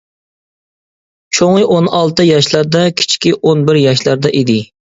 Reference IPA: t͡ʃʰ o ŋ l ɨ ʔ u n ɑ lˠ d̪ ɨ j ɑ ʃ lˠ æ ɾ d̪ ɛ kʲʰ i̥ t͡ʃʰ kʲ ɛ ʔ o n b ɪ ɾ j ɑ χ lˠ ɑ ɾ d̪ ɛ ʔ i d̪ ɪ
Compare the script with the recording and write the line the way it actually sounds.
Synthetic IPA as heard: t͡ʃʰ o ŋ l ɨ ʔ o n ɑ lˠ t̪ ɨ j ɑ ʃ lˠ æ ɾ d̪ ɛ kʲʰ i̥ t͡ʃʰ kʲ i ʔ o n b ɪ ɾ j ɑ ʃ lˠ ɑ ɾ d̪ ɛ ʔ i d̪ ɪ